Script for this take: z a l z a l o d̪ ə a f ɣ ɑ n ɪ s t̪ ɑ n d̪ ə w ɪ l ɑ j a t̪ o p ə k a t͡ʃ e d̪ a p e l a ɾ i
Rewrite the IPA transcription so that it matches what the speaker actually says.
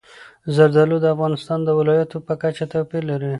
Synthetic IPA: z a ɾ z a l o d̪ ə a f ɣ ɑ n ɪ s t̪ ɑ n d̪ ə w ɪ l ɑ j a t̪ o p ə k a t͡ʃ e t̪ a p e l a ɾ i